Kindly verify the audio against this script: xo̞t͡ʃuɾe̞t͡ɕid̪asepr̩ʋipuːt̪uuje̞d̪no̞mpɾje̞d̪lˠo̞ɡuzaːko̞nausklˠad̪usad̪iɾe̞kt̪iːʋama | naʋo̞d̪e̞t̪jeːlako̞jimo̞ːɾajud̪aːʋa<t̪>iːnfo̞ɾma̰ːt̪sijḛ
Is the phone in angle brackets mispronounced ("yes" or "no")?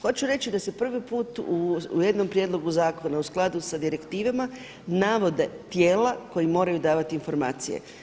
no